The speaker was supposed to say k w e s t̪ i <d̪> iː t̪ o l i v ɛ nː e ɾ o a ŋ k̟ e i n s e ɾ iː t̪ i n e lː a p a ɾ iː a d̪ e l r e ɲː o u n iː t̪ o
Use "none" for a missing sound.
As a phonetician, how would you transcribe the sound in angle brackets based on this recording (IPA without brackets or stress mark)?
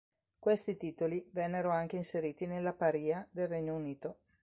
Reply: t̪